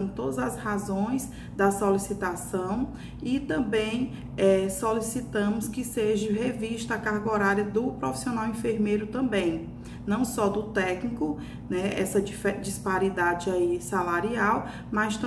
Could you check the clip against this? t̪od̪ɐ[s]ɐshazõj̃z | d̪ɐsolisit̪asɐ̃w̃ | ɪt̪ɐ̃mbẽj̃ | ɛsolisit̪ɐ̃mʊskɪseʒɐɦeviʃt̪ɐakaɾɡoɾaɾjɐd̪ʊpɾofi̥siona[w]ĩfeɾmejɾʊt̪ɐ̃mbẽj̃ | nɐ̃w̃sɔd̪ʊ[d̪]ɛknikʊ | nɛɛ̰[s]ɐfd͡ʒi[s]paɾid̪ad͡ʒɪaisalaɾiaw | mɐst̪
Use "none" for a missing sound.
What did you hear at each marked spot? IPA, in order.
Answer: z, w, t̪, s, s

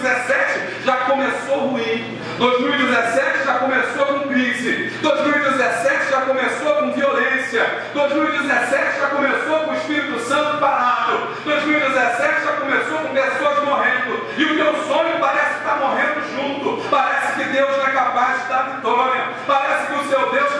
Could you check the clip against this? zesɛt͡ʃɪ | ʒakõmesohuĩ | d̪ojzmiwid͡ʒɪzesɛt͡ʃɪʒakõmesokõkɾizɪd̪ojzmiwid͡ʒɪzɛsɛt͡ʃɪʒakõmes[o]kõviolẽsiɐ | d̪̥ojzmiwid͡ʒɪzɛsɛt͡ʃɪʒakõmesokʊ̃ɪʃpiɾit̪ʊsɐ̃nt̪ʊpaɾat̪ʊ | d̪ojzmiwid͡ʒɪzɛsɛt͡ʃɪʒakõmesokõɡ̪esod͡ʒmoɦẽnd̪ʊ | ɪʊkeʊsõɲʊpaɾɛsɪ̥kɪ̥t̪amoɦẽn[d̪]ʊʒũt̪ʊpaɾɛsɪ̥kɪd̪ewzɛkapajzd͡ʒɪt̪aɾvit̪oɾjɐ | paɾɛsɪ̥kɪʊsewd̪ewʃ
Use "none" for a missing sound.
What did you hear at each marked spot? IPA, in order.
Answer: o, d̪

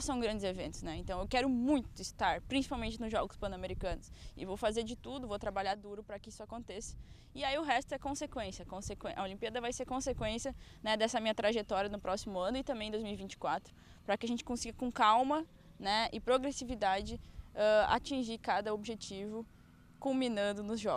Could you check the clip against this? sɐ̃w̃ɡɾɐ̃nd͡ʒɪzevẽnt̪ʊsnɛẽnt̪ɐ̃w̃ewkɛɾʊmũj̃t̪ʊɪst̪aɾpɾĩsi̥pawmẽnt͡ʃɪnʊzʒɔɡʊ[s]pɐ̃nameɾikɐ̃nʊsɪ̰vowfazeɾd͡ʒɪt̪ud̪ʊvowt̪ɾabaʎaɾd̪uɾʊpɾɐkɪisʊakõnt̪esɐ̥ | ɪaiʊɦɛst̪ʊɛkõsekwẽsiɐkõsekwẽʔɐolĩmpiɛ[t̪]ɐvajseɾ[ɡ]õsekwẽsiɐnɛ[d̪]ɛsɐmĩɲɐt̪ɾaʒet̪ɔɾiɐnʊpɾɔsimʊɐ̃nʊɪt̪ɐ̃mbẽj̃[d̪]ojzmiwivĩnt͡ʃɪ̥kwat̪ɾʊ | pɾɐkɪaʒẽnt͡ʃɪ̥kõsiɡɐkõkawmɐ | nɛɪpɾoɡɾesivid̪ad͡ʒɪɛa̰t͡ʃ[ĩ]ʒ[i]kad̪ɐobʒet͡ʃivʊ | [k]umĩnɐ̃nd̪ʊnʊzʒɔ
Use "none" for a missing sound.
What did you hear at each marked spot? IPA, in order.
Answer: s, d̪, k, d̪, d̪, ĩ, i, k

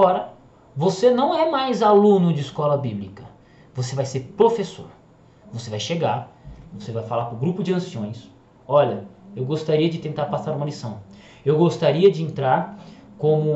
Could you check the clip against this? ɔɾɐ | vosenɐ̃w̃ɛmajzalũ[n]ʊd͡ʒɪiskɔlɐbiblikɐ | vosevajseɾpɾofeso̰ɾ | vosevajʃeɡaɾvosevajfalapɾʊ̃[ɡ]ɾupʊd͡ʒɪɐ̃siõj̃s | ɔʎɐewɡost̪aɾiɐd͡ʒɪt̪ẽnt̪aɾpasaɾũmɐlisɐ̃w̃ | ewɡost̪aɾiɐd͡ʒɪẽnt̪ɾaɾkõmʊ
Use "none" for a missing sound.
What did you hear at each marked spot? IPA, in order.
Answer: n, ɡ

